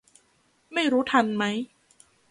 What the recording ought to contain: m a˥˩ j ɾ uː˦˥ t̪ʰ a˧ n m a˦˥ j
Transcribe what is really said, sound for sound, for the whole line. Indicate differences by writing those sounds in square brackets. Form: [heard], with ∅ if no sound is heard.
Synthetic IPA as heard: m a˥˩ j ɾ uː˦˥ t̪ʰ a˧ n m a˦˥ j